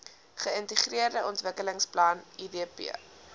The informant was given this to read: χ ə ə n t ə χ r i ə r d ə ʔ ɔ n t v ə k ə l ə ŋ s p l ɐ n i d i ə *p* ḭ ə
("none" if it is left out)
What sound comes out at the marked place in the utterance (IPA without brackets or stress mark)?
p